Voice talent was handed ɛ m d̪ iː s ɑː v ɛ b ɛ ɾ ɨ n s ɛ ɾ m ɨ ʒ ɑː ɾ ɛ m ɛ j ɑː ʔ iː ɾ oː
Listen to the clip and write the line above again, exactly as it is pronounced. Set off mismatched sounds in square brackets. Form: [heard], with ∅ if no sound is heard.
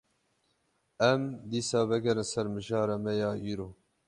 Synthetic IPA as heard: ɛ m d̪ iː s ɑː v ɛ [ɡ] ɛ ɾ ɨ n s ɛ ɾ m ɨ ʒ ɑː ɾ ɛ m ɛ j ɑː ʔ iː ɾ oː